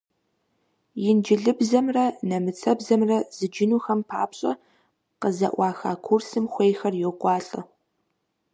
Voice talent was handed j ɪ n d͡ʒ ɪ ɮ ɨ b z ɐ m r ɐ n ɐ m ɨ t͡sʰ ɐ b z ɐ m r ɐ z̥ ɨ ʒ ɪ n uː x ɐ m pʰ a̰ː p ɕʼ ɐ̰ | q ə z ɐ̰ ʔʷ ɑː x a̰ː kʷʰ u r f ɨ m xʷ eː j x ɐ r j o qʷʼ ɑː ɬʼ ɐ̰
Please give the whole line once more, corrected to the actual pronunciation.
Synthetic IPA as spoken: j ɪ n d͡ʒ ɪ ɮ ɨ b z ɐ m r ɐ n ɐ m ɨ t͡sʰ ɐ b z ɐ m r ɐ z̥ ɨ d͡ʒ ɪ n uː x ɐ m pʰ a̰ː p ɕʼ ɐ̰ | q ə z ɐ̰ ʔʷ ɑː x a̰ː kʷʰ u r s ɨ m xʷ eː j x ɐ r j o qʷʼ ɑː ɬʼ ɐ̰